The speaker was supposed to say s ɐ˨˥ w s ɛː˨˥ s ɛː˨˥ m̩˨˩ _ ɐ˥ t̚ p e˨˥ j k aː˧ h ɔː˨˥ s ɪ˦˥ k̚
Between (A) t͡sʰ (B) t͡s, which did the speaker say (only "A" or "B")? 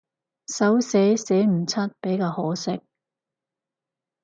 A